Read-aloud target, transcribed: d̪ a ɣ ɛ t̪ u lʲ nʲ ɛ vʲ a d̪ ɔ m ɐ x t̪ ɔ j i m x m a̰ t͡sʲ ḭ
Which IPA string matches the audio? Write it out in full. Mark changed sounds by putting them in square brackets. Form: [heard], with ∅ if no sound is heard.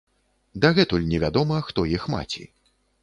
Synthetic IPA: d̪ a ɣ ɛ t̪ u lʲ nʲ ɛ vʲ a d̪ ɔ m ɐ x t̪ ɔ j i [∅] x m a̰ t͡sʲ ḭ